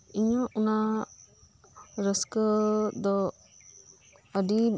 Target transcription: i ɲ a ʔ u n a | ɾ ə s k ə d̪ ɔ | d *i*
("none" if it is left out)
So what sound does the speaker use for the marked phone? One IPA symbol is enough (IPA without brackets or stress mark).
i